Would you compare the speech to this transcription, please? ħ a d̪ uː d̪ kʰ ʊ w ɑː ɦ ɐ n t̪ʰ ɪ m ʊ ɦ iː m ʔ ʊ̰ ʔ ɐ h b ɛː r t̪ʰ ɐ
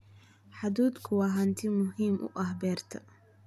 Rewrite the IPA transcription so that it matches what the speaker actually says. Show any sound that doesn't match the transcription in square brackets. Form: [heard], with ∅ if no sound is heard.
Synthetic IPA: ħ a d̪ uː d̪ kʰ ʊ w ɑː ɦ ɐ n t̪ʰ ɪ m ʊ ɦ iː m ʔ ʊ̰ ʔ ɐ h b ɛː r t̪ʰ ɐ

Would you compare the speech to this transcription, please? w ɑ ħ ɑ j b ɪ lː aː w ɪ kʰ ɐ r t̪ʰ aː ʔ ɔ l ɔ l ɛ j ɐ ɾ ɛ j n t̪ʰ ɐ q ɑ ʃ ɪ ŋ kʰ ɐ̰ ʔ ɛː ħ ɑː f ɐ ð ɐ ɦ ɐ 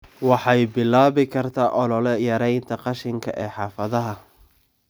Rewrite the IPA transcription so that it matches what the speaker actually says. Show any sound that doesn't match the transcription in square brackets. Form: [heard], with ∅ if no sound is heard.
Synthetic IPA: w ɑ ħ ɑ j b ɪ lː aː [β] ɪ kʰ ɐ r t̪ʰ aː ʔ ɔ l ɔ l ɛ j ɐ ɾ ɛ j n t̪ʰ ɐ q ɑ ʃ ɪ ŋ kʰ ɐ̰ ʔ ɛː ħ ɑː f ɐ ð ɐ ɦ ɐ

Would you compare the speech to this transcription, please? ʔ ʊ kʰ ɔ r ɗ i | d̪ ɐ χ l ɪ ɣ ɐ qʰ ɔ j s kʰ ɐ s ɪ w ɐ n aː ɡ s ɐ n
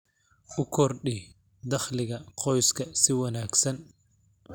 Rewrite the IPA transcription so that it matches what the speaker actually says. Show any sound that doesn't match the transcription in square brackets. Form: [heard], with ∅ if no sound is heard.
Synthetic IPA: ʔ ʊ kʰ ɔ r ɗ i | d̪ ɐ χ l ɪ ɣ ɐ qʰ ɔ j s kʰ ɐ s ɪ w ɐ n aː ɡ s ɐ n

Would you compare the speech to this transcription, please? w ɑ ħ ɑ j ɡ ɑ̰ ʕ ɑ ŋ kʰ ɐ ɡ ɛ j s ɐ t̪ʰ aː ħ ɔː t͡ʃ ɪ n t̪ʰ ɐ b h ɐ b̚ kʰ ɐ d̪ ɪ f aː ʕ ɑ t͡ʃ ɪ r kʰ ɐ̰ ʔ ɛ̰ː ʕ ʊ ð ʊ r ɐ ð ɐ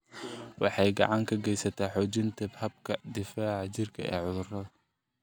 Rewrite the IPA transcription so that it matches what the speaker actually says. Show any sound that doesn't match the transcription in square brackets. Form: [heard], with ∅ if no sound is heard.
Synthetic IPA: w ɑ ħ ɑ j ɡ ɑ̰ ʕ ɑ ŋ kʰ ɐ ɡ ɛ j s ɐ t̪ʰ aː ħ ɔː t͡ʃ ɪ n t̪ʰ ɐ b h ɐ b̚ kʰ ɐ d̪ ɪ f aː ʕ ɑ t͡ʃ ɪ r kʰ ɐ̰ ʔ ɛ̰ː ʕ ʊ ð ʊ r ɐ ð ɐ

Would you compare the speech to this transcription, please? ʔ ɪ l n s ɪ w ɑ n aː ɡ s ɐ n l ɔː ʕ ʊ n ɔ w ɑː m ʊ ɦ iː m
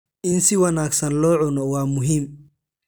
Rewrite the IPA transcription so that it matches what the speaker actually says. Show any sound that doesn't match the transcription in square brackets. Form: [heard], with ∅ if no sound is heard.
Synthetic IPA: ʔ ɪ [∅] n s ɪ w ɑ n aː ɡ s ɐ n l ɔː ʕ ʊ n ɔ w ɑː m ʊ ɦ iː m

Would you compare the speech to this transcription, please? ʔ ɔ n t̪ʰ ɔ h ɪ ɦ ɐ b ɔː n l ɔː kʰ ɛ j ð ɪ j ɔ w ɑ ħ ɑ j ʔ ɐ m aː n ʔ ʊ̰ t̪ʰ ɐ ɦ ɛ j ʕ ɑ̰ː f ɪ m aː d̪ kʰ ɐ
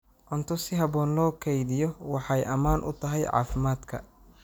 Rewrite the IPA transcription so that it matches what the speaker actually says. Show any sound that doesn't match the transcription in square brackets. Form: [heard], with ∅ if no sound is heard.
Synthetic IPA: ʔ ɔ n t̪ʰ ɔ [s] ɪ ɦ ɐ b ɔː n l ɔː kʰ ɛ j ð ɪ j ɔ w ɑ ħ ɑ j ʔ ɐ m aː n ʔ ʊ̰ t̪ʰ ɐ ɦ ɛ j ʕ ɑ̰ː f ɪ m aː d̪ kʰ ɐ

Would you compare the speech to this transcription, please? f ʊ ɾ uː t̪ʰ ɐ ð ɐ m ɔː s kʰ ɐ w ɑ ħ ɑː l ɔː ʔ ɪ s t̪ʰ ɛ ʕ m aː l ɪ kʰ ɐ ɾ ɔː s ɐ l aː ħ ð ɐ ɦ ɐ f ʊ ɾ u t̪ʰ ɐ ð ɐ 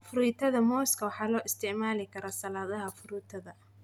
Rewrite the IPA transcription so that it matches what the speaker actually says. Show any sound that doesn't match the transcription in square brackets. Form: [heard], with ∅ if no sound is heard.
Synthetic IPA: f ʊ ɾ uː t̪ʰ ɐ ð ɐ m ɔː s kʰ ɐ w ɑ ħ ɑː l ɔː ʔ ɪ s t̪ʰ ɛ ʕ m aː l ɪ kʰ ɐ ɾ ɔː s ɐ l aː [∅] ð ɐ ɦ ɐ f ʊ ɾ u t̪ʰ ɐ ð ɐ

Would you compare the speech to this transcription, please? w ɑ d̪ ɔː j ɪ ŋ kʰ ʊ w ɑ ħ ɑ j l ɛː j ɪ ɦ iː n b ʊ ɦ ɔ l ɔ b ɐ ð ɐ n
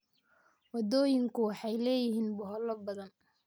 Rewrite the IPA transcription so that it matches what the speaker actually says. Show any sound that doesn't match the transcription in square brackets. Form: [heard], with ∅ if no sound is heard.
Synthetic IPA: w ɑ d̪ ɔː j ɪ ŋ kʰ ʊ w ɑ ħ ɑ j l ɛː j ɪ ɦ iː n b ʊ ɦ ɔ l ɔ b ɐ ð ɐ n

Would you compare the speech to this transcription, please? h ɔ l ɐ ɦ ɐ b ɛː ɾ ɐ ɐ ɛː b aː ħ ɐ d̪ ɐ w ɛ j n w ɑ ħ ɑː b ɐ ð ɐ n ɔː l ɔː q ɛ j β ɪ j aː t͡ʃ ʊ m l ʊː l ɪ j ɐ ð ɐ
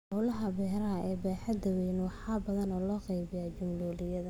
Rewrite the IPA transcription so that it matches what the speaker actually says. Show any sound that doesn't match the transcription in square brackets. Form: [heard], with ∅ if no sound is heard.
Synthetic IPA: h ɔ l ɐ ɦ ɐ b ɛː ɾ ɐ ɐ ɛː b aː ħ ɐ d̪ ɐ w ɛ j n w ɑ ħ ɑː b ɐ ð ɐ n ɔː l ɔː q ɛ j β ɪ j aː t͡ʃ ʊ m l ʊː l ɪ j ɐ ð ɐ

